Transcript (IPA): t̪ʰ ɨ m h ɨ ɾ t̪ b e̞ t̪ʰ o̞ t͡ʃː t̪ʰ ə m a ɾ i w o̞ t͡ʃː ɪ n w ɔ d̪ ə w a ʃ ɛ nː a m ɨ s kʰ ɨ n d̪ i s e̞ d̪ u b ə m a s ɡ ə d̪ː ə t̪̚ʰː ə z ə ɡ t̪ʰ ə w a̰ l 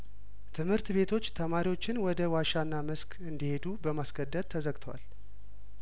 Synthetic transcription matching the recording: t̪ʰ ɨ m h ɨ ɾ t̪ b e̞ t̪ʰ o̞ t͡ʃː t̪ʰ ə m a ɾ i w o̞ t͡ʃː ɪ n w ɔ d̪ ə w a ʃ a nː a m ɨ s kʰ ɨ n d̪ i h e̞ d̪ u b ə m a s ɡ ə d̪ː ə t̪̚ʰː ə z ə ɡ t̪ʰ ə w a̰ l